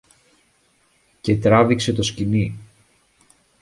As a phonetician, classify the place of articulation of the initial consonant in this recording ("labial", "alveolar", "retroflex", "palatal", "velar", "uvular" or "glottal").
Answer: palatal